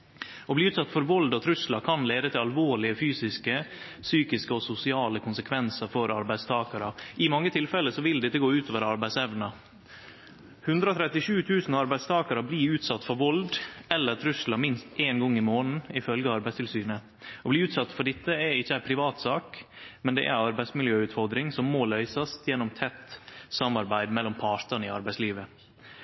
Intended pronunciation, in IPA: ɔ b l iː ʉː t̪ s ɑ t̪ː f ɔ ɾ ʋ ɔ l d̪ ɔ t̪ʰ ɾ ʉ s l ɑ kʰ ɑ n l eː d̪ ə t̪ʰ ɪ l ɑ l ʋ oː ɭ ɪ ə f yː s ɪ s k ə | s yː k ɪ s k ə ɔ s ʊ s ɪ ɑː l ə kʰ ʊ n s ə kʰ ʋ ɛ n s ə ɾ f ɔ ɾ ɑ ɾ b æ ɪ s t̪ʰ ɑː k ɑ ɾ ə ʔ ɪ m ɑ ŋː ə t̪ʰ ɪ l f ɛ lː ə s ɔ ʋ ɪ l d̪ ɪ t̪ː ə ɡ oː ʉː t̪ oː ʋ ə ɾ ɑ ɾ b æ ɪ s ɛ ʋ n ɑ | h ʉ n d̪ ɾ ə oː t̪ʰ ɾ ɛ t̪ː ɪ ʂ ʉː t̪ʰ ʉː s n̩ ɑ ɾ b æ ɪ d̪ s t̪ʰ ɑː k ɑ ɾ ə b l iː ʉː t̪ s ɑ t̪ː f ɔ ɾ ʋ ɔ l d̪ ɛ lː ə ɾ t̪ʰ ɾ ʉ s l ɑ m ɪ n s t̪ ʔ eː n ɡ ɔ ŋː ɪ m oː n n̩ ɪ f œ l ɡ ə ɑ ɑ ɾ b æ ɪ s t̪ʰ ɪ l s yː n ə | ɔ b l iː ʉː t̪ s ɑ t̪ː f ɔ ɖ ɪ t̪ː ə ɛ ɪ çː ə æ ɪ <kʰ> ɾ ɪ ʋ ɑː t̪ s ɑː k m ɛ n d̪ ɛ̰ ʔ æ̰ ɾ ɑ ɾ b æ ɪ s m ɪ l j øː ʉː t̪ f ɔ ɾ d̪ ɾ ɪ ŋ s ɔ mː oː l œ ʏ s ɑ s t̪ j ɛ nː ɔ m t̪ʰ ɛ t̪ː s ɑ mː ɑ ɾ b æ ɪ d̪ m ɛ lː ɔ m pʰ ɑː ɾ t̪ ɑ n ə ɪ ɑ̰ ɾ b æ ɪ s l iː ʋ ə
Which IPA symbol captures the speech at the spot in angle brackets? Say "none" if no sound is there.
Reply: pʰ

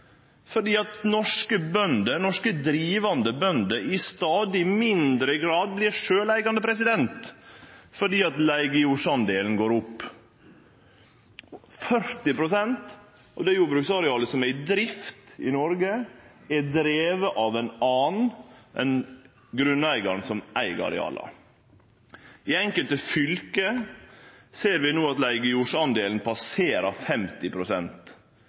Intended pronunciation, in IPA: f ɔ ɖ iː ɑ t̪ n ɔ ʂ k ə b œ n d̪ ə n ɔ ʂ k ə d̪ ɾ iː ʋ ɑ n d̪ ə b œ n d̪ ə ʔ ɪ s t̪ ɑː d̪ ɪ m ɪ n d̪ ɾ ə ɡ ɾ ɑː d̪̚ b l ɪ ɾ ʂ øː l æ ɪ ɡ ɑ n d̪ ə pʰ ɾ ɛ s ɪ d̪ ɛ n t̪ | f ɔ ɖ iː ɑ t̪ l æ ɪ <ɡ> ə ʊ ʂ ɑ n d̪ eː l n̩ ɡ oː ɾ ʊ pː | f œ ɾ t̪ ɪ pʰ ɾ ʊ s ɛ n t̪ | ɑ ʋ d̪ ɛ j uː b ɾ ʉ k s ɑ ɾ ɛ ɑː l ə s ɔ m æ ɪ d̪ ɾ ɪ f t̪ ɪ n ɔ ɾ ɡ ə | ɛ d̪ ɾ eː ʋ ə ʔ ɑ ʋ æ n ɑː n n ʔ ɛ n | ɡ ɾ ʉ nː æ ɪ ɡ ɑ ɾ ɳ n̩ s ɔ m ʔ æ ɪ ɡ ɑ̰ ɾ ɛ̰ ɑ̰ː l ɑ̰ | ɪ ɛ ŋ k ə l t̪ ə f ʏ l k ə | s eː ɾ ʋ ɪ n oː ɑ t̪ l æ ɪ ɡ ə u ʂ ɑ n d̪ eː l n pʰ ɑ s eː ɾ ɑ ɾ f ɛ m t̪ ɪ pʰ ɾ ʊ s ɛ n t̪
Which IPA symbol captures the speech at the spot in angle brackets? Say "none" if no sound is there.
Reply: ɡ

